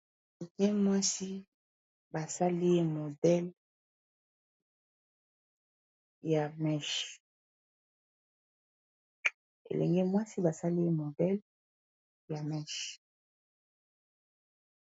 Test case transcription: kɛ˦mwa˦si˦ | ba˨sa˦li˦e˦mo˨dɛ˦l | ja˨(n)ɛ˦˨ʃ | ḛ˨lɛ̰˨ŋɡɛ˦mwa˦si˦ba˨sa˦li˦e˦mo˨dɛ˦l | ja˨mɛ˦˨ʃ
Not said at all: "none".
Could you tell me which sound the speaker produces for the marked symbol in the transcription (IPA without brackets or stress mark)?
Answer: m